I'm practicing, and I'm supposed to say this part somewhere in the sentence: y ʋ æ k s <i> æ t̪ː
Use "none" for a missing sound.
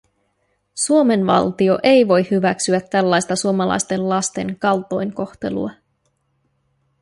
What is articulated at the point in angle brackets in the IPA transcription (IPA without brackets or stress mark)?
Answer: y